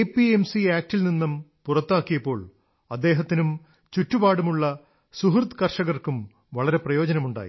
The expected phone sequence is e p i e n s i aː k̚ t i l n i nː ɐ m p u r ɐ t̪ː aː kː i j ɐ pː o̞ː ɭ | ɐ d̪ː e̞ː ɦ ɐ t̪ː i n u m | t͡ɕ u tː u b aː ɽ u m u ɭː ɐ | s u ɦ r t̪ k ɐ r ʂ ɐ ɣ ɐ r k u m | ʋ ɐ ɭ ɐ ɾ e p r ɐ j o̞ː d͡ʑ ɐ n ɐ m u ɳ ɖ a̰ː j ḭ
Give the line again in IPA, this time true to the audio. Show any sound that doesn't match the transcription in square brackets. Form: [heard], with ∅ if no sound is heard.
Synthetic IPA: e p i e [m] s i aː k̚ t i l n i nː ɐ m p u r ɐ t̪ː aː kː i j ɐ pː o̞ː ɭ | ɐ d̪ː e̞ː ɦ ɐ t̪ː i n u m | t͡ɕ u tː u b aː ɽ u m u ɭː ɐ | s u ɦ r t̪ k ɐ r ʂ ɐ ɣ ɐ r k u m | ʋ ɐ ɭ ɐ ɾ e p r ɐ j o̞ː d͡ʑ ɐ n ɐ m u ɳ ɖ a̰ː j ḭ

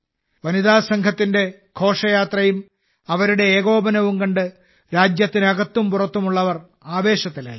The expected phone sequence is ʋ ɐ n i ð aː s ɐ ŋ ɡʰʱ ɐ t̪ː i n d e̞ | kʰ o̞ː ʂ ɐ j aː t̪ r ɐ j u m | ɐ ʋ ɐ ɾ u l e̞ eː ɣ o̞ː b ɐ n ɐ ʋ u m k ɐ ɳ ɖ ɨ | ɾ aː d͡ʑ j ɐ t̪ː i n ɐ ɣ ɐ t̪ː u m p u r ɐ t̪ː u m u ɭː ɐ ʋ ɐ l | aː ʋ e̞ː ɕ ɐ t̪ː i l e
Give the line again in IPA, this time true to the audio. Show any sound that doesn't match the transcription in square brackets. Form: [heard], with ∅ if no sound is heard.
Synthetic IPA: ʋ ɐ n i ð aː s ɐ ŋ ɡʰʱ ɐ t̪ː i n d e̞ | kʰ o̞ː ʂ ɐ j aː t̪ r ɐ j u m | ɐ ʋ ɐ ɾ u [ɽ] e̞ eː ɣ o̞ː b ɐ n ɐ ʋ u m k ɐ ɳ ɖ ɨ | ɾ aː d͡ʑ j ɐ t̪ː i n ɐ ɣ ɐ t̪ː u m p u r ɐ t̪ː u m u ɭː ɐ ʋ ɐ [r] | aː ʋ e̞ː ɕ ɐ t̪ː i l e

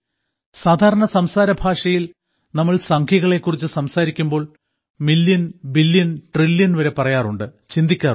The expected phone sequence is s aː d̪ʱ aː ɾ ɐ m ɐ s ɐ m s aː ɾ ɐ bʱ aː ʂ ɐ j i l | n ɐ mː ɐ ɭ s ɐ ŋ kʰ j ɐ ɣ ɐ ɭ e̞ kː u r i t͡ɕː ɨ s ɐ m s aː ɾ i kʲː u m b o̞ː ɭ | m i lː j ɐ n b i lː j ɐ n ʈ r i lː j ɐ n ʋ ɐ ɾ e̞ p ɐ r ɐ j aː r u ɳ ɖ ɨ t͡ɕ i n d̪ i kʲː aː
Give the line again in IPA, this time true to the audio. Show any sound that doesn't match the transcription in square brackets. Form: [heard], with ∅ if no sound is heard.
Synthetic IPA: s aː d̪ʱ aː ɾ ɐ [ɳ] ɐ s ɐ m s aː ɾ ɐ bʱ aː ʂ ɐ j i l | n ɐ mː ɐ ɭ s ɐ ŋ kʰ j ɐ ɣ ɐ ɭ e̞ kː u r i t͡ɕː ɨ s ɐ m s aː ɾ i kʲː u m b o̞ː ɭ | m i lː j ɐ n b i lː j ɐ n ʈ r i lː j ɐ n ʋ ɐ ɾ e̞ p ɐ r ɐ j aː r u ɳ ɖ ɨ t͡ɕ i n d̪ i kʲː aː

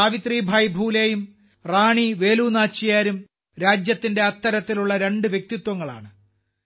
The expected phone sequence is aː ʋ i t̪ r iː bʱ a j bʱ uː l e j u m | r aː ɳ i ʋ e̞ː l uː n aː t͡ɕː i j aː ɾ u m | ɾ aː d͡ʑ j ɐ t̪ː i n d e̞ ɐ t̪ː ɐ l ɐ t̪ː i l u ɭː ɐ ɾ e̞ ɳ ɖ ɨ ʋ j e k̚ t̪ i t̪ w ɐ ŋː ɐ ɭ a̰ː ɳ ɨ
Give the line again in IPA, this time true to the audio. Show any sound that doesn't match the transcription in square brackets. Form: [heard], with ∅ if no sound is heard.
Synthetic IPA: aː ʋ i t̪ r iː bʱ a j bʱ uː l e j u m | r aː ɳ i ʋ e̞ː l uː n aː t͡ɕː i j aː ɾ u m | ɾ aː d͡ʑ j ɐ t̪ː i n d e̞ ɐ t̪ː ɐ [ɾ] ɐ t̪ː i l u ɭː ɐ ɾ e̞ ɳ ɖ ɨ ʋ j e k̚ t̪ i t̪ w ɐ ŋː ɐ ɭ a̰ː ɳ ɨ

